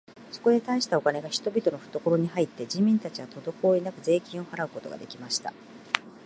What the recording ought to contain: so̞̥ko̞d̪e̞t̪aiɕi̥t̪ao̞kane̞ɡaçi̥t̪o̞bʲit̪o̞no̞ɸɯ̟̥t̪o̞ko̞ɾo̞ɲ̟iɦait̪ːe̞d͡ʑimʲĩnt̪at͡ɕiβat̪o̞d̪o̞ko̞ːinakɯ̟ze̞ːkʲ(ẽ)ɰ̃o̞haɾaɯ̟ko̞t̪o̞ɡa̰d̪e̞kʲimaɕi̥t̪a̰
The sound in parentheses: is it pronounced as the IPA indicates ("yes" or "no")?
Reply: no